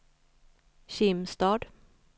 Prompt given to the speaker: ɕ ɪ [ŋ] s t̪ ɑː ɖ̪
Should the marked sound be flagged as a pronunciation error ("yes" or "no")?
yes